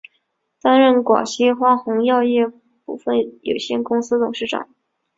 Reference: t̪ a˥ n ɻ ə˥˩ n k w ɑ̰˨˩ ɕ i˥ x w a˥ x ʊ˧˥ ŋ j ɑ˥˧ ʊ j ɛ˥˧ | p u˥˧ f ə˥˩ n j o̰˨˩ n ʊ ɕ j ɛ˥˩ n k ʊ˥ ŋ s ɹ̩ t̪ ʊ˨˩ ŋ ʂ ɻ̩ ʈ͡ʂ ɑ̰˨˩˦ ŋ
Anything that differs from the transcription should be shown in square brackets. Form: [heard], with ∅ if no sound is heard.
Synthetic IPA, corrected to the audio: t̪ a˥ n ɻ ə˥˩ n k w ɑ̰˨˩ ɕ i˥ x w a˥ x ʊ˧˥ ŋ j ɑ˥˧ ʊ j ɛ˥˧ | p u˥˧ f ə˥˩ n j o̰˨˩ [∅] ʊ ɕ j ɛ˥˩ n k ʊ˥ ŋ s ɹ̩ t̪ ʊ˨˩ ŋ ʂ ɻ̩ ʈ͡ʂ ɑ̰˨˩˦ ŋ